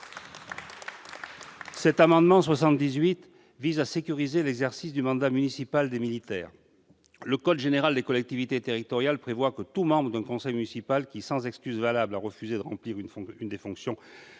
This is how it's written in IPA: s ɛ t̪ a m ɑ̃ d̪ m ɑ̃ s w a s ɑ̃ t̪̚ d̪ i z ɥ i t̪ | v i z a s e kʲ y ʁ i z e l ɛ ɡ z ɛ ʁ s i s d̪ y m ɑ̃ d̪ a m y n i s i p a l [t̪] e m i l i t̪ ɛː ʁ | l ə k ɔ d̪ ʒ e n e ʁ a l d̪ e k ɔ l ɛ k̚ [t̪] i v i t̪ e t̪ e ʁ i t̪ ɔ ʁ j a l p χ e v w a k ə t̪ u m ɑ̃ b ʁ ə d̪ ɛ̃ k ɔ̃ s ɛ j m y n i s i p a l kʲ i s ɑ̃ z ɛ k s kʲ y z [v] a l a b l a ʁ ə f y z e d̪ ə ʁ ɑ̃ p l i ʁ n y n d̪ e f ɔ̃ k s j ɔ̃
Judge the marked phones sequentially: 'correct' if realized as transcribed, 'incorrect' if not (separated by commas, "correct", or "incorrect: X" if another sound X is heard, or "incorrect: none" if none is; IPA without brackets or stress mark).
incorrect: d̪, correct, correct